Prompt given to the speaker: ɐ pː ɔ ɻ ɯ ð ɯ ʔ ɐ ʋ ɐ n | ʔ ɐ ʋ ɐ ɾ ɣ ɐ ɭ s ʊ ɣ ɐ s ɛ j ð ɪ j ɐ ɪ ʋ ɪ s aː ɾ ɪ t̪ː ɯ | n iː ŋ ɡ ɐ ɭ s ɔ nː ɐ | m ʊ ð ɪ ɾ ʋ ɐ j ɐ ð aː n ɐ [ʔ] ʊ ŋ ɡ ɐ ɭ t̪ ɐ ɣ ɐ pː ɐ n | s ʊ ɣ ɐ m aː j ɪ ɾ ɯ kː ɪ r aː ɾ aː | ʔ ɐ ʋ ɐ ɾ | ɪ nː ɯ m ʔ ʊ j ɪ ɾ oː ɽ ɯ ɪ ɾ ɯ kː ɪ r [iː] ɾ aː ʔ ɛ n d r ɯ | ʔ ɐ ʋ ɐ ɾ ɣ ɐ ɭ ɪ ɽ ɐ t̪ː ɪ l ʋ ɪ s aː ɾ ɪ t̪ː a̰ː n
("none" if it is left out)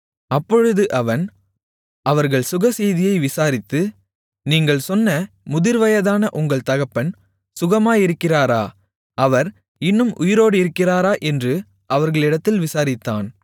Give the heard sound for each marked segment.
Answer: ʔ, aː

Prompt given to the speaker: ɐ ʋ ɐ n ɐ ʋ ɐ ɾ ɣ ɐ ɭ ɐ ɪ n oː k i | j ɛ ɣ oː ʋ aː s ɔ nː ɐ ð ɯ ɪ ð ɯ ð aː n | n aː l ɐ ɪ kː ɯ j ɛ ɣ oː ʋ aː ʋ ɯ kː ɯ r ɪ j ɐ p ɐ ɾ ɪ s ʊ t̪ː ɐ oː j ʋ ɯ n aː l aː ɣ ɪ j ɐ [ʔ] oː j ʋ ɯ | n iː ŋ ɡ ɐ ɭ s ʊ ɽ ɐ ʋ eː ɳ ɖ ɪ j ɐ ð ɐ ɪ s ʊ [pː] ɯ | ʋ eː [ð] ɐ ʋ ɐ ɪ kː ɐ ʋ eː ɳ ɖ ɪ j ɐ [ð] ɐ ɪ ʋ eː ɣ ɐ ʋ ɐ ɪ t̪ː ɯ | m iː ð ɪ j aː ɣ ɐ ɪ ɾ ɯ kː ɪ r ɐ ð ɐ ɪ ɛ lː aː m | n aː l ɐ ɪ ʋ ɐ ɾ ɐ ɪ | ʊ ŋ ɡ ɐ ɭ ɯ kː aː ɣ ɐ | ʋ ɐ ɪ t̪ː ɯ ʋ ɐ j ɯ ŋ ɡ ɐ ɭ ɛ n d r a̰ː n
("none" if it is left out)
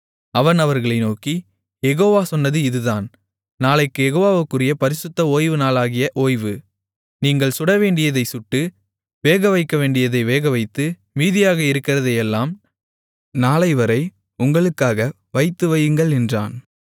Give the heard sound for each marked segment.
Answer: ʔ, ʈː, ɣ, ð

